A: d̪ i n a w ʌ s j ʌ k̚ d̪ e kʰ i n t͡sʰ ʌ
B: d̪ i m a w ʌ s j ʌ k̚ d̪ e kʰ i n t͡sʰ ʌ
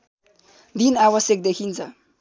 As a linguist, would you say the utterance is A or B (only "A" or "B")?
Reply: A